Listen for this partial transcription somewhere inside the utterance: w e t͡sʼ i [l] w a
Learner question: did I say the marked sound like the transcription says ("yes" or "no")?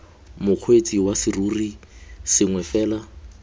no